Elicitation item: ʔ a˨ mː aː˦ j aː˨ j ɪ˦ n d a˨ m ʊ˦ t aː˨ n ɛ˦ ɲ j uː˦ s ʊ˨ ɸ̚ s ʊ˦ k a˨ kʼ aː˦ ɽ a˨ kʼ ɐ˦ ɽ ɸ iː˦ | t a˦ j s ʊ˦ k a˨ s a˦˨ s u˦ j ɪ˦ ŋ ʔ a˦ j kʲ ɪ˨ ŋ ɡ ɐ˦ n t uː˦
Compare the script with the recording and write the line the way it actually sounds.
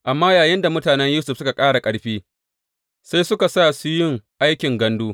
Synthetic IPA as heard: ʔ a˨ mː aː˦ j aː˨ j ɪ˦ n d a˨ m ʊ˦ t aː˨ n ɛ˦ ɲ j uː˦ s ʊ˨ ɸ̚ s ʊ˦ k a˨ kʼ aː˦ ɽ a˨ kʼ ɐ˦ ɽ ɸ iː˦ | s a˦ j s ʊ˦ k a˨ s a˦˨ s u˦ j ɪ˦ ŋ ʔ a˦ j kʲ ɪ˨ ŋ ɡ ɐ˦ n d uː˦